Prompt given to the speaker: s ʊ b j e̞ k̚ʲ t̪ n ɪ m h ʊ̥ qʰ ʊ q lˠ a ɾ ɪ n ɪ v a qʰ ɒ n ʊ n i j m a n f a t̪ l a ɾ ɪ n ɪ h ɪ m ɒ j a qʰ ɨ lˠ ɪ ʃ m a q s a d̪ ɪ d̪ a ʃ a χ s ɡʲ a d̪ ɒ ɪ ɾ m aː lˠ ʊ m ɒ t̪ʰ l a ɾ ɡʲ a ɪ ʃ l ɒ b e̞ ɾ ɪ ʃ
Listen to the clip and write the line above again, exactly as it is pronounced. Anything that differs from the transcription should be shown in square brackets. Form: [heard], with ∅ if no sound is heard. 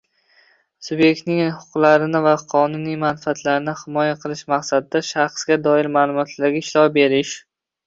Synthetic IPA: s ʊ b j e̞ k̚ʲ t̪ n ɪ [ŋ] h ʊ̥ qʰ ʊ q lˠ a ɾ ɪ n ɪ v a qʰ ɒ n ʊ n i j m a n f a t̪ l a ɾ ɪ n ɪ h ɪ m ɒ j a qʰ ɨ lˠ ɪ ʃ m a q s a d̪ ɪ d̪ a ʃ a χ s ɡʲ a d̪ ɒ ɪ ɾ m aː lˠ ʊ m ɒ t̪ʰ l a ɾ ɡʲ a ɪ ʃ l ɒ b e̞ ɾ ɪ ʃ